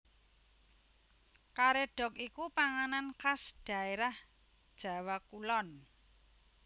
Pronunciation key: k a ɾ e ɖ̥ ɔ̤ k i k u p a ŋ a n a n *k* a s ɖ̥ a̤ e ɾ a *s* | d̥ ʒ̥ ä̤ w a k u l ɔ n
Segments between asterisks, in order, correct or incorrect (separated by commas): correct, incorrect